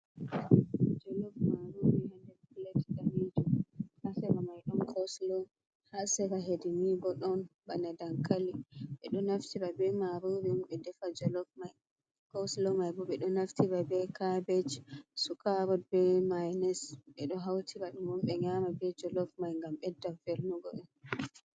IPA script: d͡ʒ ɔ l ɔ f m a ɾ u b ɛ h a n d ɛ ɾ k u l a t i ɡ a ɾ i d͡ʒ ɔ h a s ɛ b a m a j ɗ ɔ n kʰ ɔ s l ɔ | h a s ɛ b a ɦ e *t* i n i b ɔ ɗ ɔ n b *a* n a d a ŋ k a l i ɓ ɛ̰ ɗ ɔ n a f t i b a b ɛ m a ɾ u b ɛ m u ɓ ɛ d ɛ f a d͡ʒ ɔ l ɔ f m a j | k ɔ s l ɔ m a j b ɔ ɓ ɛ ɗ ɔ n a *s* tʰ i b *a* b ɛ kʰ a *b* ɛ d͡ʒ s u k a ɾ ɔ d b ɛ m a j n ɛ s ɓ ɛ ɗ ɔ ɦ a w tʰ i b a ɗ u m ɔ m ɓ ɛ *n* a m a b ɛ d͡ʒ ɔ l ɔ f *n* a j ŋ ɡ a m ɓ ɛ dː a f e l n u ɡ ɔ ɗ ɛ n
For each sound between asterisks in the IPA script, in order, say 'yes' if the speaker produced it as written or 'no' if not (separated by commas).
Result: no, yes, no, yes, yes, no, no